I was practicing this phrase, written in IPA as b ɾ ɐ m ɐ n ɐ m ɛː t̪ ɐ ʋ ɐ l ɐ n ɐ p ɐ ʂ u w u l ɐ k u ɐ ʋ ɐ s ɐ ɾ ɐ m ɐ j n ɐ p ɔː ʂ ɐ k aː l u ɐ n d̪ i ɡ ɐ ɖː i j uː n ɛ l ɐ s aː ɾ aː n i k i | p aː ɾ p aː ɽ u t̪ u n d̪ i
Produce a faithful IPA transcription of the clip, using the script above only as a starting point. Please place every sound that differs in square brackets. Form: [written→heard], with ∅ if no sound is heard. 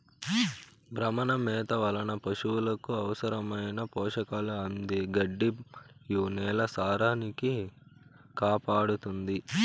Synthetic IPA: b ɾ ɐ m ɐ n ɐ m ɛː t̪ ɐ ʋ ɐ l ɐ n ɐ p ɐ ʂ u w u l ɐ k u ɐ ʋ ɐ s ɐ ɾ ɐ m ɐ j n ɐ p ɔː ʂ ɐ k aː l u ɐ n d̪ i ɡ ɐ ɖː i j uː n [ɛ→ɛː] l ɐ s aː ɾ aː n i k i | [p→k] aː [ɾ→∅] p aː ɽ u t̪ u n d̪ i